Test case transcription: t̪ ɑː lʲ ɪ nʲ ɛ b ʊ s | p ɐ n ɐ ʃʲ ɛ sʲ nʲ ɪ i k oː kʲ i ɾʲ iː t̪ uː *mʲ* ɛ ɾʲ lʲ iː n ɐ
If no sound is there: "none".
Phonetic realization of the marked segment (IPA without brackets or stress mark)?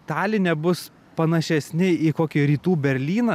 bʲ